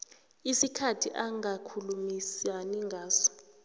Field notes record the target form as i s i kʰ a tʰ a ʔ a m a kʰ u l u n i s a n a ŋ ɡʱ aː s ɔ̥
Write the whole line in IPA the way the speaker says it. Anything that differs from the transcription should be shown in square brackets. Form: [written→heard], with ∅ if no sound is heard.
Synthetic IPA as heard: i s i kʰ a tʰ [a→i] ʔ a [m→ŋ] a kʰ u l u [n→m] i s a n [a→i] ŋ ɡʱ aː s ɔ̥